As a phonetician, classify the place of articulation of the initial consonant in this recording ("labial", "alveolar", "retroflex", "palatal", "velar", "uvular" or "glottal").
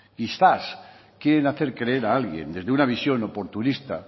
velar